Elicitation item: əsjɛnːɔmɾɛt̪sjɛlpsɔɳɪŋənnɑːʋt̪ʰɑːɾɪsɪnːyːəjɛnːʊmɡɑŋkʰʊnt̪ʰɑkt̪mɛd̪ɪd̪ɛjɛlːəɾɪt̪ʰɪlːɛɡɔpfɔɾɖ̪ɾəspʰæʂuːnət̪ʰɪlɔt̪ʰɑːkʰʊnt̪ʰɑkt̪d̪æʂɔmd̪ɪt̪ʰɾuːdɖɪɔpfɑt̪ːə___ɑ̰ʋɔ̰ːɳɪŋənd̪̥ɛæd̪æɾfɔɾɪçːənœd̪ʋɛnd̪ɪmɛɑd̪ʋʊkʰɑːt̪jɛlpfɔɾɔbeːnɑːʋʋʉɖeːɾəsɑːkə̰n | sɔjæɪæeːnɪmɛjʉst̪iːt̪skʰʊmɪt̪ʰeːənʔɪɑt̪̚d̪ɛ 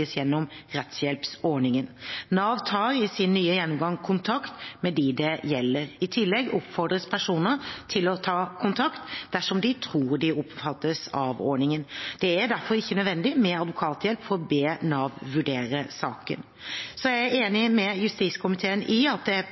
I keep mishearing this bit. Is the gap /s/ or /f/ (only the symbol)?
s